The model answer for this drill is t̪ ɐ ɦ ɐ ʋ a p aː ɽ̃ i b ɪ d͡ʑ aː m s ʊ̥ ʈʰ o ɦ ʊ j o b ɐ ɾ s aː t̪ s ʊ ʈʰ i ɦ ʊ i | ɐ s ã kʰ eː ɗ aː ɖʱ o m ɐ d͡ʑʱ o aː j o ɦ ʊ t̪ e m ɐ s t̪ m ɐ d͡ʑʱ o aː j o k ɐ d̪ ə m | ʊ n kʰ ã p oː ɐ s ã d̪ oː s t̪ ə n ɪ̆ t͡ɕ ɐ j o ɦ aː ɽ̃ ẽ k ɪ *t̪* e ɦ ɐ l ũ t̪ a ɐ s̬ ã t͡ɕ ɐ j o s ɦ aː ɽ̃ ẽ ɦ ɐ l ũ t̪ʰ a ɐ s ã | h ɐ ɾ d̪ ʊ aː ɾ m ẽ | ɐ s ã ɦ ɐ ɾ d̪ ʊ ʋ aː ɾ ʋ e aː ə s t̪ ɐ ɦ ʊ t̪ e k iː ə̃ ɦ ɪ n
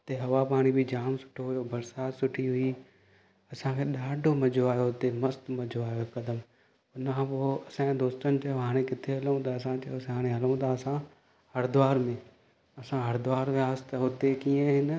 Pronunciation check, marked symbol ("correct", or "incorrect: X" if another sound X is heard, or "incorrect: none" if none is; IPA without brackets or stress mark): incorrect: t̪ʰ